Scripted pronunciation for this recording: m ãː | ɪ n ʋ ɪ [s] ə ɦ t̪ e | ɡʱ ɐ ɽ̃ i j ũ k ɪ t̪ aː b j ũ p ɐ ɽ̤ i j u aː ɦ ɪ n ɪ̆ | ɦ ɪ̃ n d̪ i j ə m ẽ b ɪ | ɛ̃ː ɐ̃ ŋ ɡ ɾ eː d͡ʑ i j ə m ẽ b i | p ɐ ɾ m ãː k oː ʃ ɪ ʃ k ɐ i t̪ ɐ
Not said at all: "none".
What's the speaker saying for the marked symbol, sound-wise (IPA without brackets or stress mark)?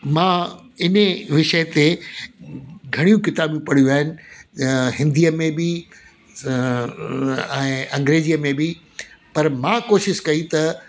ʃ